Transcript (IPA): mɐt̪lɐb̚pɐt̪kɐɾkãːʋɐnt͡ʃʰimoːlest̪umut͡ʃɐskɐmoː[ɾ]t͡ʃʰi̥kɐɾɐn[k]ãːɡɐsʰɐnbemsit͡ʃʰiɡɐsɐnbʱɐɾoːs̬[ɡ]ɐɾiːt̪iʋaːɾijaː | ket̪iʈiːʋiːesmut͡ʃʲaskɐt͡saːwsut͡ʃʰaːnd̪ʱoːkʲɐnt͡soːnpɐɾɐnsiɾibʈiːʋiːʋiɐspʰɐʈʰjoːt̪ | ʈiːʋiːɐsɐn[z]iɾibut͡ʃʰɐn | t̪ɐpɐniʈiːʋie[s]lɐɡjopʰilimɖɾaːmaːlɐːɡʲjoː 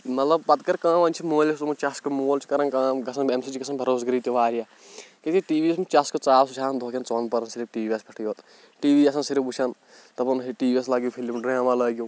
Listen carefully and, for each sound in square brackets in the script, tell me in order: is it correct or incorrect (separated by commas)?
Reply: incorrect, correct, correct, incorrect, correct